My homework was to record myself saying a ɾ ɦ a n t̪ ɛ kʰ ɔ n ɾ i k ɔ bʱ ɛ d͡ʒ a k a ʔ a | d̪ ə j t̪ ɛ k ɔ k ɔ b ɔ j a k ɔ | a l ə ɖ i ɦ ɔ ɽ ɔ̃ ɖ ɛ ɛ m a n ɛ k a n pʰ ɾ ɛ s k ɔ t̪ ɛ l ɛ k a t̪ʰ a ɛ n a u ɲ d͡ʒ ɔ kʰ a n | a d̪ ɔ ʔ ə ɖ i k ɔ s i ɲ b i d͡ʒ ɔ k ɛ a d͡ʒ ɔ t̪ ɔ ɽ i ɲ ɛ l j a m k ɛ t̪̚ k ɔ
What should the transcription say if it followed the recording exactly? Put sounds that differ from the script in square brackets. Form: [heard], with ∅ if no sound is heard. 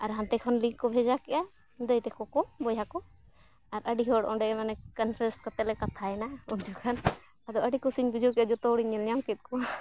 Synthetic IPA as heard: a ɾ ɦ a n t̪ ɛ kʰ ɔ n [l] i k ɔ bʱ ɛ d͡ʒ a k [ɛ] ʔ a | d̪ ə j t̪ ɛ k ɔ k ɔ b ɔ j a k ɔ | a [ɾ] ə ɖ i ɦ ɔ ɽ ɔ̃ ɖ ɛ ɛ m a n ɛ k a n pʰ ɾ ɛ s k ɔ t̪ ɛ l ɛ k a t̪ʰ a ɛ n a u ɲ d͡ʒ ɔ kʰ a n | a d̪ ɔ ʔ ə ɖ i k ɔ s i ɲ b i d͡ʒ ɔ k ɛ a d͡ʒ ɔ t̪ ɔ ɽ i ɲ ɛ l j a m k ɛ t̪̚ k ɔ